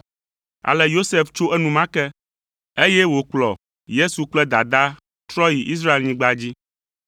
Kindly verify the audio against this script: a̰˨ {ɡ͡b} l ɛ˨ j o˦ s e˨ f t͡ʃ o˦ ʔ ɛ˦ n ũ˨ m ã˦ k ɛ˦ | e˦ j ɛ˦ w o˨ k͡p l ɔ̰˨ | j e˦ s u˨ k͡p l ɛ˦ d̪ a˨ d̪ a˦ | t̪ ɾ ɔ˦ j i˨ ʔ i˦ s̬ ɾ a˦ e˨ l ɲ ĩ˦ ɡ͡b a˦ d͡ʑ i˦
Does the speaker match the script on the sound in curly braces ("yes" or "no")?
no